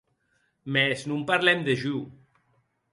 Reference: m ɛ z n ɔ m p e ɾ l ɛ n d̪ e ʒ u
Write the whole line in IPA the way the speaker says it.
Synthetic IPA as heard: m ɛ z n u m p a ɾ l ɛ m d̪ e ʒ u